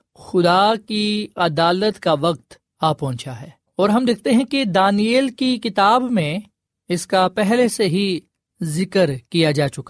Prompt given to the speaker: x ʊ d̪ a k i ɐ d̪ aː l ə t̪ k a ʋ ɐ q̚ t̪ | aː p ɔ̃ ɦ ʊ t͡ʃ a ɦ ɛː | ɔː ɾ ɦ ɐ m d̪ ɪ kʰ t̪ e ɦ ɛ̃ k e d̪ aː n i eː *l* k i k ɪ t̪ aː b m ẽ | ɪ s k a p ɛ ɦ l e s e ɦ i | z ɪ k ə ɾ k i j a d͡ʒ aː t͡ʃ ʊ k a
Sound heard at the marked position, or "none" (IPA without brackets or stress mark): l